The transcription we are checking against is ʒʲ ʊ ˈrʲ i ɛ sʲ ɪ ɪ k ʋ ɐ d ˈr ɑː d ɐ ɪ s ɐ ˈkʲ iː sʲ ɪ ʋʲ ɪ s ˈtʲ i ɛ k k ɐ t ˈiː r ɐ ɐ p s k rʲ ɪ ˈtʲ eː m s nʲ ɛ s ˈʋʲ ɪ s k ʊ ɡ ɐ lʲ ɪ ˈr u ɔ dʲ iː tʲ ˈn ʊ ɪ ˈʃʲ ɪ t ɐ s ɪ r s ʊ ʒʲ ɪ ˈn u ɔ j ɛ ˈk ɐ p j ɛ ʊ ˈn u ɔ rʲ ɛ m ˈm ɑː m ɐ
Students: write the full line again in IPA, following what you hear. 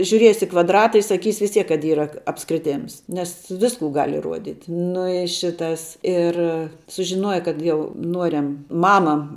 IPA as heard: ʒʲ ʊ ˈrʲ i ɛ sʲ ɪ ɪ k ʋ ɐ d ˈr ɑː t ɐ ɪ s ɐ ˈkʲ iː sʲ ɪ ʋʲ ɪ s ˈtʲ i ɛ k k ɐ t ˈiː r ɐ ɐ p s k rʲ ɪ ˈtʲ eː m s nʲ ɛ s ˈʋʲ ɪ s k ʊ ɡ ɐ lʲ ɪ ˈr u ɔ dʲ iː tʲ ˈn ʊ ɪ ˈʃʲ ɪ t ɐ s ɪ r s ʊ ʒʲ ɪ ˈn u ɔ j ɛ ˈk ɐ t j ɛ ʊ ˈn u ɔ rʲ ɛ m ˈm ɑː m ɐ